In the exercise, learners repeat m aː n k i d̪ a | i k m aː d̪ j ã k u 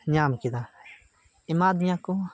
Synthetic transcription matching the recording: ɲ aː m k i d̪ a | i m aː d̪ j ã k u